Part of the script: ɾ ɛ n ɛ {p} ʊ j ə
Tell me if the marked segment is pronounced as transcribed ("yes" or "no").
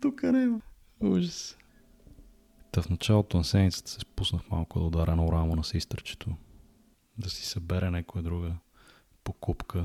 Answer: no